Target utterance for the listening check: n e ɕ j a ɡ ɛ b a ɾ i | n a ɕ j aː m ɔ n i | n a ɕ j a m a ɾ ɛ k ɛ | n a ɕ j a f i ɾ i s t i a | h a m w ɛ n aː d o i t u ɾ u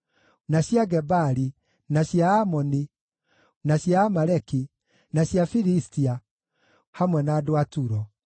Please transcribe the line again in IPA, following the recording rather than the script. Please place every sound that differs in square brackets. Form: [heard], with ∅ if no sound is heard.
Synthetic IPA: n [a] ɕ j a ɡ ɛ b a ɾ i | n a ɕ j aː m ɔ n i | n a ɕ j a m a ɾ ɛ k [i] | n a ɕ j a f i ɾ i s t i a | h a m w ɛ n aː d o [a] t u ɾ [ɔ]

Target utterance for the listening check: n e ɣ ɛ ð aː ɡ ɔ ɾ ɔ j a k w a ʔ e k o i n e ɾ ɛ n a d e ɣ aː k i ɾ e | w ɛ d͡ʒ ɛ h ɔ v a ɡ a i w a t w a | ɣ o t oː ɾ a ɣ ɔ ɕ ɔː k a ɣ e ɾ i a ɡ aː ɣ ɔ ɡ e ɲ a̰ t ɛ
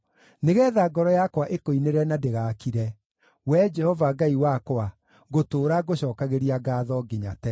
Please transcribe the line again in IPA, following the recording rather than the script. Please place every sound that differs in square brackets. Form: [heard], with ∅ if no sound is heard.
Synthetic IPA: n e ɣ ɛ ð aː ɡ ɔ ɾ ɔ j a k w a ʔ e k o i n e ɾ ɛ n a d e ɣ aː k i ɾ [ɛ] | w ɛ d͡ʒ ɛ h ɔ v a ɡ a i w a [k] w a | ɣ o t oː ɾ a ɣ [o] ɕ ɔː k a ɣ e ɾ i a ɡ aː [ð] ɔ ɡ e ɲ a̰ t ɛ

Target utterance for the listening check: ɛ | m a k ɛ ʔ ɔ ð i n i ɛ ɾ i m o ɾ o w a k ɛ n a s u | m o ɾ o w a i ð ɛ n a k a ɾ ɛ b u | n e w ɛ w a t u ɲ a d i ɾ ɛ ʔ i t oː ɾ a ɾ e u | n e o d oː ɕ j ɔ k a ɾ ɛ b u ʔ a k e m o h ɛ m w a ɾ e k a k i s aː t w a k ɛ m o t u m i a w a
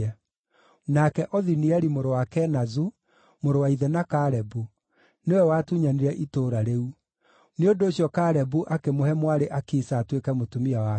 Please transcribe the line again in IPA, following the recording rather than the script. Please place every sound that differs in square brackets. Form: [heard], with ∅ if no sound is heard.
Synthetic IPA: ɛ | [n] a k ɛ ʔ ɔ ð i n i ɛ ɾ i m o ɾ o w a k ɛ n a [z] u | m o ɾ o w a i ð ɛ n a k a ɾ ɛ b u | n e w ɛ w a t u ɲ a [n] i ɾ ɛ ʔ i t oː ɾ a ɾ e u | n e o d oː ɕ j ɔ k a ɾ ɛ b u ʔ a k e m o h ɛ m w a ɾ e [ʔ] a k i s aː t w [e] k ɛ m o t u m i a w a

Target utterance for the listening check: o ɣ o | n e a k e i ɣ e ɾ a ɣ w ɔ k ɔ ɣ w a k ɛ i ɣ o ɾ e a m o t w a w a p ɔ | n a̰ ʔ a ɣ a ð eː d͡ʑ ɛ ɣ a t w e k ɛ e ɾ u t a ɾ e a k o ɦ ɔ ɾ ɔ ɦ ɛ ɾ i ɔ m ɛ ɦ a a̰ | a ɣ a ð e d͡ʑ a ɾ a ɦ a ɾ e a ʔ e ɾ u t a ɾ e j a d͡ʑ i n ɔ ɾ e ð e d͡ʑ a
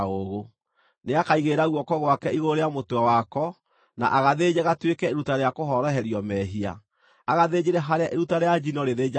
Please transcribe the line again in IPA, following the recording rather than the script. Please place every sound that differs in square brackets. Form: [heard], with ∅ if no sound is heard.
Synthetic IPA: o ɣ o | n e a k [a] i ɣ e ɾ a ɣ w ɔ k ɔ ɣ w a k ɛ i ɣ o ɾ e a m o t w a w a [k] ɔ | n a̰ ʔ a ɣ a ð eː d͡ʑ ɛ ɣ a t w e k ɛ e ɾ u t a ɾ e a k o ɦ ɔ ɾ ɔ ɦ ɛ ɾ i ɔ m ɛ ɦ [i] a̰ | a ɣ a ð e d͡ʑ [e] ɾ [ɛ] ɦ a ɾ e a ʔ e ɾ u t a ɾ e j a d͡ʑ i n ɔ ɾ e ð e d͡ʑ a

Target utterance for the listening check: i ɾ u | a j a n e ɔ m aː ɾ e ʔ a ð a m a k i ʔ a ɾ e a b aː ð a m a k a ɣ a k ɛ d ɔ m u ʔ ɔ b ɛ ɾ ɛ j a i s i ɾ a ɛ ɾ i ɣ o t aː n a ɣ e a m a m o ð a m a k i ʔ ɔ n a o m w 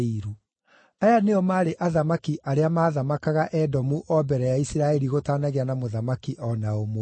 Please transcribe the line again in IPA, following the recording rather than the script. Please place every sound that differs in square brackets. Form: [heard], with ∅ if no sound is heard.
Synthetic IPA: i ɾ u | a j a n e ɔ m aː ɾ e ʔ a ð a m a k i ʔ a ɾ e a [m] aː ð a m a k a ɣ a [ʔ] ɛ d ɔ m u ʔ ɔ b ɛ ɾ ɛ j a i s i ɾ a ɛ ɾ i ɣ o t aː n a ɣ e a [n] a m o ð a m a k i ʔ ɔ n a o m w

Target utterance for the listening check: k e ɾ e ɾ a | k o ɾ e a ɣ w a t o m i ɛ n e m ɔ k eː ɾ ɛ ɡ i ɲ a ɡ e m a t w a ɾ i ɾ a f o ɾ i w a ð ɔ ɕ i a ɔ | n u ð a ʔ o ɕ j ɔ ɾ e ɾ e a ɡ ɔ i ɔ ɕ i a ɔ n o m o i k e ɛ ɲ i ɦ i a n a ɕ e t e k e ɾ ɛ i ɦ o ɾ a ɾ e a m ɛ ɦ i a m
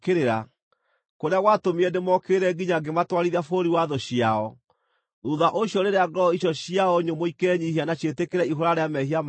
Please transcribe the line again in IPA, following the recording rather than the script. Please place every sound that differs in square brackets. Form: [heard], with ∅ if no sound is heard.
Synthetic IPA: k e ɾ e ɾ a | k o ɾ e a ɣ w a t o m i ɛ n e m ɔ k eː ɾ ɛ ɡ i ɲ a ɡ e m a t w a ɾ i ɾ a f o ɾ i w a ð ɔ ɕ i a ɔ | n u ð a ʔ o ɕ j ɔ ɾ e ɾ e a ɡ ɔ i ɔ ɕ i a ɔ [ɲ] o m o i k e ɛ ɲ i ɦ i a n a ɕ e t e k e ɾ ɛ i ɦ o ɾ a ɾ e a m ɛ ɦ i a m

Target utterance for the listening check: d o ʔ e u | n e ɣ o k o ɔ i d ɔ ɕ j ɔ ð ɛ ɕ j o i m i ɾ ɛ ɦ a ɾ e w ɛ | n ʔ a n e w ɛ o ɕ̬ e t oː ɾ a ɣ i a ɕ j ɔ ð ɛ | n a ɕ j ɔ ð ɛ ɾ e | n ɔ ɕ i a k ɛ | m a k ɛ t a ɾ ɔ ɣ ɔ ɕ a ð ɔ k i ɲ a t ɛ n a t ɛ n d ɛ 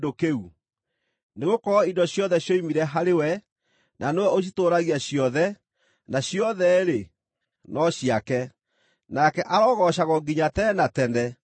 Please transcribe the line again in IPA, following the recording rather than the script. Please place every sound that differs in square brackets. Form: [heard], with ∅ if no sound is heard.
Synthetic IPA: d o [k] e u | n e ɣ o k [ɔ] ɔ i d ɔ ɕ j ɔ ð ɛ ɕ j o i m i ɾ ɛ ɦ a ɾ e w ɛ | n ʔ a n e w ɛ o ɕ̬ [i] t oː ɾ a ɣ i a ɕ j ɔ ð ɛ | n a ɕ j ɔ ð ɛ ɾ e | n ɔ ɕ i a k ɛ | [n] a k ɛ [ʔ] a ɾ ɔ ɣ ɔ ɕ a [ɣ] ɔ [ɡ] i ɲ a t ɛ n a t ɛ n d ɛ

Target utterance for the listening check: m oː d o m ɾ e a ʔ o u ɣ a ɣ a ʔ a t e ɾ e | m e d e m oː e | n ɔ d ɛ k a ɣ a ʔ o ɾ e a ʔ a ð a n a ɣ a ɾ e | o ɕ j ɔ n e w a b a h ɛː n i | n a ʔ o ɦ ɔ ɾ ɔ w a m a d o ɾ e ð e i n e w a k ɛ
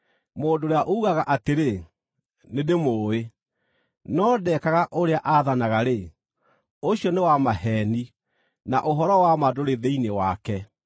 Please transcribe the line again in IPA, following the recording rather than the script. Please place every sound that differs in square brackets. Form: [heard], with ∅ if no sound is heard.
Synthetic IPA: m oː d o [∅] ɾ e a ʔ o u ɣ a ɣ a ʔ a t e ɾ e | [n] e d e m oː e | n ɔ d ɛ k a ɣ a ʔ o ɾ e a ʔ a ð a n a ɣ a ɾ e | o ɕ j ɔ n e w a [m] a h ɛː n i | n a ʔ o ɦ ɔ ɾ ɔ w a m a d o ɾ e ð e i n e w a k ɛ

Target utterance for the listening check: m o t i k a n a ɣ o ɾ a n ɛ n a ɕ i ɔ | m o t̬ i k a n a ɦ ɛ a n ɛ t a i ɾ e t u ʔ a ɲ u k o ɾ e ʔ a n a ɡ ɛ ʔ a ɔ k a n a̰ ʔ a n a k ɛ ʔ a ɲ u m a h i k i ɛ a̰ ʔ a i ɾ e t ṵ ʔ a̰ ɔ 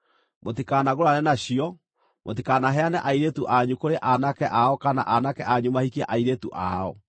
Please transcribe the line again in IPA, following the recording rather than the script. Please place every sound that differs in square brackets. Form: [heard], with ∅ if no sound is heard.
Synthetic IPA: m o t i k a n a ɣ o ɾ a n ɛ n a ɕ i ɔ | m o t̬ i k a n a ɦ ɛ a n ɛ [ʔ] a i ɾ e t u ʔ a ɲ u k o ɾ e ʔ a n a [k] ɛ ʔ a ɔ k a n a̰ ʔ a n a k ɛ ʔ a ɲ u m a h i k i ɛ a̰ ʔ a i ɾ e t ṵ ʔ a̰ ɔ

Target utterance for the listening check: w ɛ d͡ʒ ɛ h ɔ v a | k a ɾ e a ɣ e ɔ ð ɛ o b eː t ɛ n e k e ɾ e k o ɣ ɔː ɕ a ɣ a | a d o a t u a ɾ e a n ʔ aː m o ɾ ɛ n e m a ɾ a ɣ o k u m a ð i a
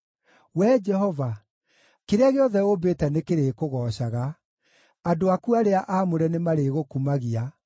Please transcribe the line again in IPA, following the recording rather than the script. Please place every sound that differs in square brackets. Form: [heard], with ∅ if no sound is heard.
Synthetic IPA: w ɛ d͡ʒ ɛ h ɔ v a | k [e] ɾ e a ɣ e ɔ ð ɛ o b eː t ɛ n e k e ɾ e k o ɣ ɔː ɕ a ɣ a | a d o a [k] u a ɾ e a [∅] ʔ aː m o ɾ ɛ n e m a ɾ [e] ɣ o k u m a [ɣ] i a

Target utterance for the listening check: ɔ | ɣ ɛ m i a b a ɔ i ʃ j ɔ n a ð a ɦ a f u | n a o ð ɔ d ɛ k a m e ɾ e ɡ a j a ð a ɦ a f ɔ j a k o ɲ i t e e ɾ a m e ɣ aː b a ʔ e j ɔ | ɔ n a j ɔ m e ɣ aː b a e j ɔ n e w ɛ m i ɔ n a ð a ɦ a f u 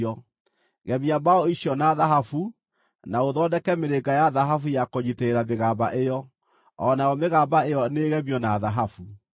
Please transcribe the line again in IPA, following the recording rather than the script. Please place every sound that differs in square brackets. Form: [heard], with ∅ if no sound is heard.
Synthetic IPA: ɔ | ɣ ɛ m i a b a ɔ i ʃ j ɔ n a ð a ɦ a f u | n a o ð ɔ d ɛ k [ɛ] m e ɾ e ɡ a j a ð a ɦ a f [u] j a k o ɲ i t e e ɾ a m e ɣ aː b a ʔ e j ɔ | ɔ n a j ɔ m e ɣ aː b a e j ɔ n e [ɣ] ɛ m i ɔ n a ð a ɦ a f u

